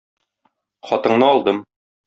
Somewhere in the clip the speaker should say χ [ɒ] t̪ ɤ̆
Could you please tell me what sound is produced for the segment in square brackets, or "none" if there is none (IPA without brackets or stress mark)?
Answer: ɒ